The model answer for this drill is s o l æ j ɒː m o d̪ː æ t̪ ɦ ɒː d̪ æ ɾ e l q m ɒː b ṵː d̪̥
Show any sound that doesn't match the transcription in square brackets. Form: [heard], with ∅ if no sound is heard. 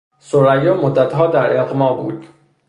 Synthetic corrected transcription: s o [ɾ] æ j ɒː m o d̪ː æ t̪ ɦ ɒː d̪ æ ɾ e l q m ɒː b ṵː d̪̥